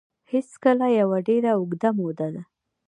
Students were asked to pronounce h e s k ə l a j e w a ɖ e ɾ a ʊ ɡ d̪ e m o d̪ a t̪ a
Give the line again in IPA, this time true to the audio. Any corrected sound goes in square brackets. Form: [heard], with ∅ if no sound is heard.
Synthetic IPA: h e s k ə l a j [a] w a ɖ e ɾ a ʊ ɡ d̪ [a] m o d̪ a [d̪] a